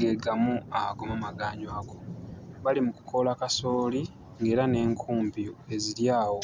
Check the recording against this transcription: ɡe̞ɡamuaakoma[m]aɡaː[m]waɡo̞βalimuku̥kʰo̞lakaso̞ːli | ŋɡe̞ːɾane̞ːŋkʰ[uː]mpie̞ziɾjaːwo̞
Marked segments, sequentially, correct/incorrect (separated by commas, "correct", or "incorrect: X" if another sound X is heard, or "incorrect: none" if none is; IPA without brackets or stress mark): correct, incorrect: ɲ, correct